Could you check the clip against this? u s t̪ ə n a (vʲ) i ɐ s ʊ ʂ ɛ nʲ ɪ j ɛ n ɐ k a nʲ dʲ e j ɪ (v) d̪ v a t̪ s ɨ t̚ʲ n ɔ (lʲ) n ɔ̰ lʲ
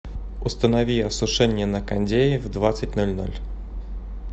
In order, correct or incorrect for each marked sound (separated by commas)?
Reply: correct, correct, correct